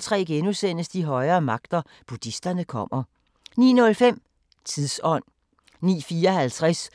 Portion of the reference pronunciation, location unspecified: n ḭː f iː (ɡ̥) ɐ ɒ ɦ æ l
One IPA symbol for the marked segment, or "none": none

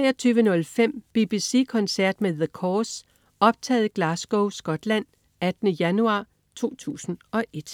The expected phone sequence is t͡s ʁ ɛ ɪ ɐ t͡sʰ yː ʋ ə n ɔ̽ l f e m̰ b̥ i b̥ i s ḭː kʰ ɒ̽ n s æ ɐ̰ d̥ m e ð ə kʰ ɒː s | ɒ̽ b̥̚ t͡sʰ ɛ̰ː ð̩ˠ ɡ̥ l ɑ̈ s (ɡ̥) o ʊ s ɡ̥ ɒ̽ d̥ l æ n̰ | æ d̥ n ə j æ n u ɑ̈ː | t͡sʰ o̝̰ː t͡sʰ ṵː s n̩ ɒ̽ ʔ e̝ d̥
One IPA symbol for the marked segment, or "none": ɡ̥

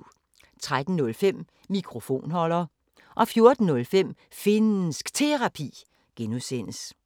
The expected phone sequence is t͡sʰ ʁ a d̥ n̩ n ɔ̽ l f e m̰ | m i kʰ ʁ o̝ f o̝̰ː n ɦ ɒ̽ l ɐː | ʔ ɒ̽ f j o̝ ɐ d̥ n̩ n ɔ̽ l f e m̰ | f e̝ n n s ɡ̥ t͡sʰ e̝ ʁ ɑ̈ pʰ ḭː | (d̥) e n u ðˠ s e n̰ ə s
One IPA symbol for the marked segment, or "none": ɡ̥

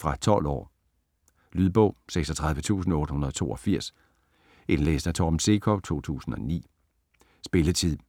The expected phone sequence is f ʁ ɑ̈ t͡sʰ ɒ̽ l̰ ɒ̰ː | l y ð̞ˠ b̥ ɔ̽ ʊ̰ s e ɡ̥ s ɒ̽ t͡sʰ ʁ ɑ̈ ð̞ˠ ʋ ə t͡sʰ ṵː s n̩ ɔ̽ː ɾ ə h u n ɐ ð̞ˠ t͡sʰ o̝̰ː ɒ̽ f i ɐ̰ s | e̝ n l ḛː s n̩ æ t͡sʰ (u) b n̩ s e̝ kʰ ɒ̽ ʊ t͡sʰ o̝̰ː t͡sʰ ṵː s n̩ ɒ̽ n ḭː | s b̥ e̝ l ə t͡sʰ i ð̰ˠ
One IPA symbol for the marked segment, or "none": ɒ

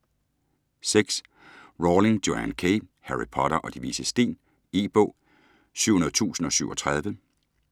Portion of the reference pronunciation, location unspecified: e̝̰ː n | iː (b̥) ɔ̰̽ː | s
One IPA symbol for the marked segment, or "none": b̥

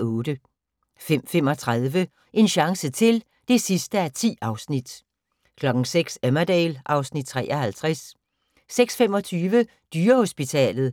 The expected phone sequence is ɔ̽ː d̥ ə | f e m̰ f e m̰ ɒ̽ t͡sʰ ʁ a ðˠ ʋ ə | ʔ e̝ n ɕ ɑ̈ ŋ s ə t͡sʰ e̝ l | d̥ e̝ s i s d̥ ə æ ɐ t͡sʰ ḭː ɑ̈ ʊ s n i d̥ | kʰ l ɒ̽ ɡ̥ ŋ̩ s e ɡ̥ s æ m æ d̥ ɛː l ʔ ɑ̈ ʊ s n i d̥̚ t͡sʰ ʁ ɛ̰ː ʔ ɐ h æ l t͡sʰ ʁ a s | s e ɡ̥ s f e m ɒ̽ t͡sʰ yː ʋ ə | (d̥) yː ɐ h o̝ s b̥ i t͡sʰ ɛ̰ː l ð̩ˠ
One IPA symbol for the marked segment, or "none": d̥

